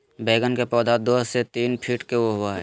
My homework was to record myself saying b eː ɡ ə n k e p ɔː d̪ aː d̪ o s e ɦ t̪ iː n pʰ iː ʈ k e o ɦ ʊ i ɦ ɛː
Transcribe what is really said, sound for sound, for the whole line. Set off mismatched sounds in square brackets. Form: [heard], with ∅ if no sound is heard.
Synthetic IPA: b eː ɡ ə n k e p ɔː d̪ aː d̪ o s e [∅] t̪ iː n pʰ iː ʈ k e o ɦ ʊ [a] ɦ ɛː